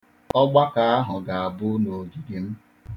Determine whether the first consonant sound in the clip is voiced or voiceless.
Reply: voiced